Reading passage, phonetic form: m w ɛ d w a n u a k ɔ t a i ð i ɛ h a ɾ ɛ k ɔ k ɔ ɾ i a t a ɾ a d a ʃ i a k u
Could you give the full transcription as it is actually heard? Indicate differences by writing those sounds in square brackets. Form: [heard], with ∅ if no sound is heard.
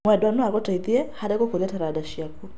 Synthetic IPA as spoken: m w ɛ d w a n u a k ɔ t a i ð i ɛ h a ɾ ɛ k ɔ k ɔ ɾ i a t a ɾ a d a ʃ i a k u